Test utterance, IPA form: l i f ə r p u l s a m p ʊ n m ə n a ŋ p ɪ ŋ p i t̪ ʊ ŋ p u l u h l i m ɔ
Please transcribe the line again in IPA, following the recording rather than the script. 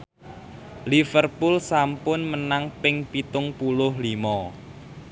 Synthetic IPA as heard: l i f ə r p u l s a m p ʊ n m ə n a ŋ p ɪ ŋ p i t̪ ʊ ŋ p u l ʊ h l i m ɔ

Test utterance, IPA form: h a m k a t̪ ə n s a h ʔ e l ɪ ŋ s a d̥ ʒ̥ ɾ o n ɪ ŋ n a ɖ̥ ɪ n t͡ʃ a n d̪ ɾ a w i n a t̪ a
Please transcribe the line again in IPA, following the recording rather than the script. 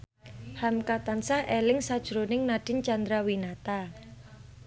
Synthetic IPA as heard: h a m k a t̪ a n s a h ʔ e l ɪ ŋ s a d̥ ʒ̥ ɾ o n ɪ ŋ n a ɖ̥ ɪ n t͡ʃ a n d̪ ɾ a w i n a t̪ a

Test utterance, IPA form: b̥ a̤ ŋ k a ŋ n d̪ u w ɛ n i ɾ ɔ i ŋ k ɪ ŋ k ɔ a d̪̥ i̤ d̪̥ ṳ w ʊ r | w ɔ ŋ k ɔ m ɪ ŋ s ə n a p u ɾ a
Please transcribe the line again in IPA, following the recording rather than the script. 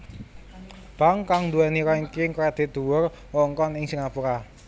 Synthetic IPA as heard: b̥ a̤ ŋ k a ŋ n d̪ u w ɛ n i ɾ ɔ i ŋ k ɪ ŋ k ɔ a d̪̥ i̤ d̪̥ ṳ w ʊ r | w ɔ ŋ k ɔ n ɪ ŋ s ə ŋ a p u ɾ a

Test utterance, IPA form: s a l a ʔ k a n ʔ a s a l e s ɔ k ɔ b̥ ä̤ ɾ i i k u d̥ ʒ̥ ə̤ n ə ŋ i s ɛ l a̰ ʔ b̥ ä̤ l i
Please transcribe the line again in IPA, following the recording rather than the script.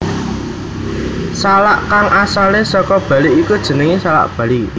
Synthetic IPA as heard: s a l a ʔ k a ŋ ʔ a s a l e s ɔ k ɔ b̥ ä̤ l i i k u d̥ ʒ̥ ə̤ n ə ŋ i s a l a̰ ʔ b̥ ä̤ l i

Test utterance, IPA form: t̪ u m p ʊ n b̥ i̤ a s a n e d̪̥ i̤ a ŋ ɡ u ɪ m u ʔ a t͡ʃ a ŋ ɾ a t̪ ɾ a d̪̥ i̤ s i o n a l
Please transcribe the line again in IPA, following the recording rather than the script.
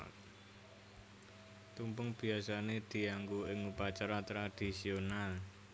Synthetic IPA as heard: t̪ u m p ʊ ŋ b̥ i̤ a s a n e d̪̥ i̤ a ŋ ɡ u ɪ ŋ u p a t͡ʃ a ɾ a t̪ ɾ a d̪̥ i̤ s i o n a l

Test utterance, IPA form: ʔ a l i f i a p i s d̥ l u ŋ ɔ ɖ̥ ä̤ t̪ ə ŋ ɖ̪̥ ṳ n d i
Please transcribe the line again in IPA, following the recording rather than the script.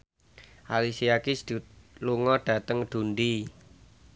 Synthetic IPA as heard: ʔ a l i s i a k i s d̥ l u ŋ ɔ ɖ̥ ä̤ t̪ ə ŋ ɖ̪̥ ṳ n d i

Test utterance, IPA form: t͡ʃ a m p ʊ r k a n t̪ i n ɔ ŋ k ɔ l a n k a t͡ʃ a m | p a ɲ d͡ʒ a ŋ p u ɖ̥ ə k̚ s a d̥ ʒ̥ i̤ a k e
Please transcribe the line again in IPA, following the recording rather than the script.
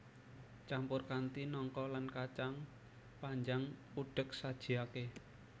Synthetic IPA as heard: t͡ʃ a m p ʊ r k a n t̪ i n ɔ ŋ k ɔ l a n k a t͡ʃ a ŋ | p a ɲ d͡ʒ a ŋ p u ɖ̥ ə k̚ s a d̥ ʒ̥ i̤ a k e

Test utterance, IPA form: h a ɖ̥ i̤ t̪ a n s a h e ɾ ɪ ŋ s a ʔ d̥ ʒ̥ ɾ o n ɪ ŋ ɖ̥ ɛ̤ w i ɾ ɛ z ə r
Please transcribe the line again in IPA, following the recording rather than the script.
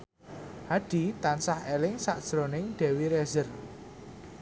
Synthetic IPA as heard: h a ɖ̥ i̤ t̪ a n s a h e l ɪ ŋ s a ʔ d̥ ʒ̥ ɾ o n ɪ ŋ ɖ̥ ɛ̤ w i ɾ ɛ z ə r

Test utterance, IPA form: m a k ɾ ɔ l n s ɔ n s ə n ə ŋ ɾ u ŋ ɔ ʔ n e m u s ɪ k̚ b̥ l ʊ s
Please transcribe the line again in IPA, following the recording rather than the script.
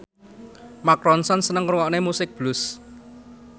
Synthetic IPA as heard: m a k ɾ ɔ n s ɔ n s ə n ə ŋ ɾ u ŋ ɔ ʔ n e m u s ɪ k̚ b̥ l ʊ s

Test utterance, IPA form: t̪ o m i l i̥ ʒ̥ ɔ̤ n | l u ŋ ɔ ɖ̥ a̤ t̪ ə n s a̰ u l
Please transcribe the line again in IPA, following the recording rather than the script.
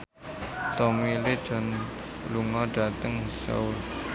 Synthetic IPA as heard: t̪ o m i l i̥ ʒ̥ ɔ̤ n | l u ŋ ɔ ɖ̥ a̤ t̪ ə ŋ s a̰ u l

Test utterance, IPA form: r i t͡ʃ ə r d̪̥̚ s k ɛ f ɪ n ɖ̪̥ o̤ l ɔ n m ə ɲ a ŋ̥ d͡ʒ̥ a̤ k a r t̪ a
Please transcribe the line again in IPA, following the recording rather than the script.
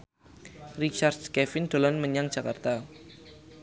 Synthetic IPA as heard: r i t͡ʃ a r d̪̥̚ s k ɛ f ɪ n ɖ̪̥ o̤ l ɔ n m ə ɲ a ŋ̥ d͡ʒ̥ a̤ k a r t̪ a

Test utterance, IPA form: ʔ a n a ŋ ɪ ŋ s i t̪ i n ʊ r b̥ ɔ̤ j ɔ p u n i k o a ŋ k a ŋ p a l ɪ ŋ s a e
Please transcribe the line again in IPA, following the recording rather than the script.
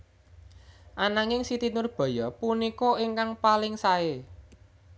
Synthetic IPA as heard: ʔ a n a ŋ ɪ ŋ s i t̪ i n ʊ r b̥ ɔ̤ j ɔ p u n i k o i ŋ k a ŋ p a l ɪ ŋ s a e

